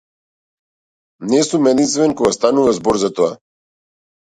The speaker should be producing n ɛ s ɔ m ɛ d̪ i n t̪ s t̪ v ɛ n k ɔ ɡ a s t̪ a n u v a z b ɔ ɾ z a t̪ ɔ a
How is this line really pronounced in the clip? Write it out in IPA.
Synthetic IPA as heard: n ɛ s u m ɛ d̪ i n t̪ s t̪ v ɛ n k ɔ ɡ a s t̪ a n u v a z b ɔ ɾ z a t̪ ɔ a

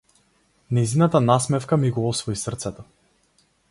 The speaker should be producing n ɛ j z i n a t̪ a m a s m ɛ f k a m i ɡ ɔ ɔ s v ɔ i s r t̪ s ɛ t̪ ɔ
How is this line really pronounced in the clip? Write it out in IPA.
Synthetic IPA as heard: n ɛ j z i n a t̪ a n a s m ɛ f k a m i ɡ ɔ ɔ s v ɔ i s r t̪ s ɛ t̪ ɔ

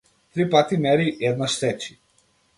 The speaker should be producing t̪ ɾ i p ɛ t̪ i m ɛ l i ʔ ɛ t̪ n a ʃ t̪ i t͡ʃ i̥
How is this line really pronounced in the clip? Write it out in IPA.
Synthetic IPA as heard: t̪ ɾ i p a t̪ i m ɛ ɾ i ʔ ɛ d̪ n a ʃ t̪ ɛ t͡ʃ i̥

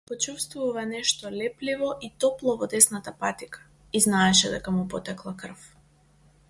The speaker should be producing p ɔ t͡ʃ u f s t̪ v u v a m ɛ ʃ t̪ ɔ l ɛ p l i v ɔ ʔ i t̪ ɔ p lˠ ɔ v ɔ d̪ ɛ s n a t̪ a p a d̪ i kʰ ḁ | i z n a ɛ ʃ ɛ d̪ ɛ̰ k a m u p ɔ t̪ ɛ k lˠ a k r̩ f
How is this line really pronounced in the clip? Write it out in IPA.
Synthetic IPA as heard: p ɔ t͡ʃ u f s t̪ v u v a n ɛ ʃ t̪ ɔ l ɛ p l i v ɔ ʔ i t̪ ɔ p lˠ ɔ v ɔ d̪ ɛ s n a t̪ a p a t̪ i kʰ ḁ | i z n a ɛ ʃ ɛ d̪ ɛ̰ k a m u p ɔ t̪ ɛ k lˠ a k r̩ f

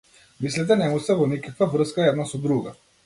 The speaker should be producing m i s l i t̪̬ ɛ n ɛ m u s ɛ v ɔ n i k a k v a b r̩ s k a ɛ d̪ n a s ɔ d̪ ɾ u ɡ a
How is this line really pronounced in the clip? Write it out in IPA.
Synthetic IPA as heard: m i s l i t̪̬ ɛ n ɛ m u s ɛ v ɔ n i k a k v a v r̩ s k a ɛ d̪ n a s ɔ d̪ ɾ u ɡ a

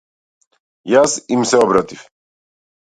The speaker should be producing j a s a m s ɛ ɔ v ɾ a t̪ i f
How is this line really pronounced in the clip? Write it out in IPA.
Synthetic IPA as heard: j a s i m s ɛ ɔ b ɾ a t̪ i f

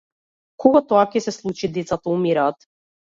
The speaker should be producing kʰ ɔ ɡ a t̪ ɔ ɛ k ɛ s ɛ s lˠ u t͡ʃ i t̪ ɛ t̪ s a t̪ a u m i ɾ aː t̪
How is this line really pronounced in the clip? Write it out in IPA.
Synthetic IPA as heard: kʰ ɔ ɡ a t̪ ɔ a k ɛ s ɛ s lˠ u t͡ʃ i d̪ ɛ t̪ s a t̪ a u m i ɾ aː t̪

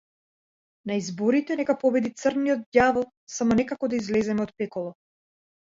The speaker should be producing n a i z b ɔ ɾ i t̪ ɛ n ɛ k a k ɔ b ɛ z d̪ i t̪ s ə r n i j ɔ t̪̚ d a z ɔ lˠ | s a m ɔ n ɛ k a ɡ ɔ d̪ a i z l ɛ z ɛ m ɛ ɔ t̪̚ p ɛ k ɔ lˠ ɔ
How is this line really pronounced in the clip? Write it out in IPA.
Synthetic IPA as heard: n a i z b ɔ ɾ i t̪ ɛ n ɛ k a p ɔ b ɛ d̪ i t̪ s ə r n i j ɔ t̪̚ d a v ɔ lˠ | s a m ɔ n ɛ k a k ɔ d̪ a i z l ɛ z ɛ m ɛ ɔ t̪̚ p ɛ k ɔ lˠ ɔ

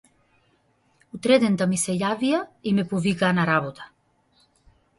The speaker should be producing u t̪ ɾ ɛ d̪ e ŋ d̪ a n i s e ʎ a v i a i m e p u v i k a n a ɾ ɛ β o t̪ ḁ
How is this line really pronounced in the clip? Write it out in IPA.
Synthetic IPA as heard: u t̪ ɾ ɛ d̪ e n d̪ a m i s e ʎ a v i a i m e p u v i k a n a ɾ a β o t̪ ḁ

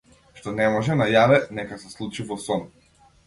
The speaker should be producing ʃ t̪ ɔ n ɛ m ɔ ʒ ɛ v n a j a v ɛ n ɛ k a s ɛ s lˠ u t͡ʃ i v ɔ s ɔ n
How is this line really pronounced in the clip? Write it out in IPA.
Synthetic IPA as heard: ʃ t̪ ɔ n ɛ m ɔ ʒ ɛ n a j a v ɛ n ɛ k a s ɛ s lˠ u t͡ʃ i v ɔ s ɔ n

